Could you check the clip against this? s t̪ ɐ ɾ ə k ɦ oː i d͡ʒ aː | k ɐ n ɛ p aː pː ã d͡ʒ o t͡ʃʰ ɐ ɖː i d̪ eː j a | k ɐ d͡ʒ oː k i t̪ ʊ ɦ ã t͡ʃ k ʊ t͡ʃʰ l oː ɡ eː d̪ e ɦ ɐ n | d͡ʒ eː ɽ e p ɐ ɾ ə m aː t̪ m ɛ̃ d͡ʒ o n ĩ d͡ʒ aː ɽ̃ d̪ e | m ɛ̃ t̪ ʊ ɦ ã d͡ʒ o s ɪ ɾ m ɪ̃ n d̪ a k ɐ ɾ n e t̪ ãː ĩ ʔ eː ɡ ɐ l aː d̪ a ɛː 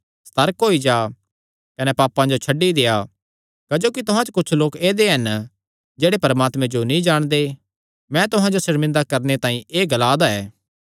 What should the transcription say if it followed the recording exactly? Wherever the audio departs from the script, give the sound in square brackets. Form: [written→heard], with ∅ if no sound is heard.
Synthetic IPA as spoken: s t̪ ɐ ɾ ə k ɦ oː i d͡ʒ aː | k ɐ n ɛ p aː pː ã d͡ʒ o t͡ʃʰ ɐ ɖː i d̪ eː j a | k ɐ d͡ʒ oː k i t̪ ʊ ɦ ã t͡ʃ k ʊ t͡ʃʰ l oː [ɡ→k] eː d̪ e ɦ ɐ n | d͡ʒ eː ɽ e p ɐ ɾ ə m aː t̪ m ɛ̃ d͡ʒ o n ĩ d͡ʒ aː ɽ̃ d̪ e | m ɛ̃ t̪ ʊ ɦ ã d͡ʒ o s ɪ ɾ m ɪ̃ n d̪ a k ɐ ɾ n e t̪ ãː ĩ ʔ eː ɡ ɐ l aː d̪ a ɛː